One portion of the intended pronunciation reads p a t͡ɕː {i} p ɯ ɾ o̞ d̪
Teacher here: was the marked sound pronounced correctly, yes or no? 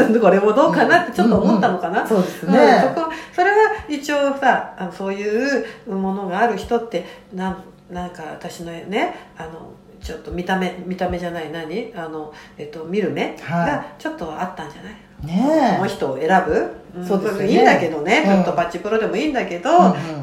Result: yes